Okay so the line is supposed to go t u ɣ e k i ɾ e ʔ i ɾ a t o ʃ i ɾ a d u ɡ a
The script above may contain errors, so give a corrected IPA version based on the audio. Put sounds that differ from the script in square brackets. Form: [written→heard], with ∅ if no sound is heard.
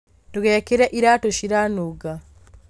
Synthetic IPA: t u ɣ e k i ɾ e ʔ i ɾ a t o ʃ i ɾ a [d→n] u ɡ a